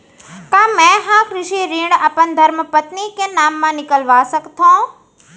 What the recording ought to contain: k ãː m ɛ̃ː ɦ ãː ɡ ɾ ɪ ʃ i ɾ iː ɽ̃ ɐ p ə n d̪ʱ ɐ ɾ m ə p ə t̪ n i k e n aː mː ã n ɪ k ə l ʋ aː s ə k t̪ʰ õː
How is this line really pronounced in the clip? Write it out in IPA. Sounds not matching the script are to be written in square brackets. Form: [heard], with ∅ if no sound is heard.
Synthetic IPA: k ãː m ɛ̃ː ɦ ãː [k] ɾ ɪ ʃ i ɾ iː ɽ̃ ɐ p ə n d̪ʱ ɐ ɾ m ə p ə t̪ n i k e n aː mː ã n ɪ k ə l ʋ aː s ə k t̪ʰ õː